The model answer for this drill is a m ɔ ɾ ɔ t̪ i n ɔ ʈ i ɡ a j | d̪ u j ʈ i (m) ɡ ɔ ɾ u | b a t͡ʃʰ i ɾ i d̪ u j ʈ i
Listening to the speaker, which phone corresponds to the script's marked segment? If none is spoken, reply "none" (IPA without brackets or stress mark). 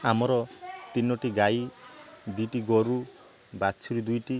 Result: none